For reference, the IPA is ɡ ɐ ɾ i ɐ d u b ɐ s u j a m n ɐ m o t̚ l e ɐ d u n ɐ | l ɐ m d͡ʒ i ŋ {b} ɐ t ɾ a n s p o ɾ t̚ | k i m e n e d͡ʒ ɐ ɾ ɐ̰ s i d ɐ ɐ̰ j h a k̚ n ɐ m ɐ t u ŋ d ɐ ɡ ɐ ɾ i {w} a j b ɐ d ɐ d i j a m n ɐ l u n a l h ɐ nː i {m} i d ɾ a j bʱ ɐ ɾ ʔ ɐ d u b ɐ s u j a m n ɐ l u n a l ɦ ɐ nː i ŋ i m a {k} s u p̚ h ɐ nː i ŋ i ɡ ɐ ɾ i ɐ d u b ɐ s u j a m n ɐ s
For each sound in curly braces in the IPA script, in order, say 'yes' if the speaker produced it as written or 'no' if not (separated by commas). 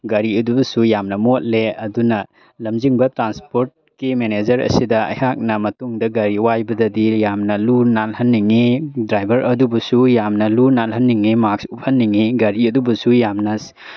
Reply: yes, yes, no, yes